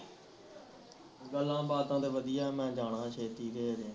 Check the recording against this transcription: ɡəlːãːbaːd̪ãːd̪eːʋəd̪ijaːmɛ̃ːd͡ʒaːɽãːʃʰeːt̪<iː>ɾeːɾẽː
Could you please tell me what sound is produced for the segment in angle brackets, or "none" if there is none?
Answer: iː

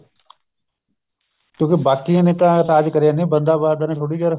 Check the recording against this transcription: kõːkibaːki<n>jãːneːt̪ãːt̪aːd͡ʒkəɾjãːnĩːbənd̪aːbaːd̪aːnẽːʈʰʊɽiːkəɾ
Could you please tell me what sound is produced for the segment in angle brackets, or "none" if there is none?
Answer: none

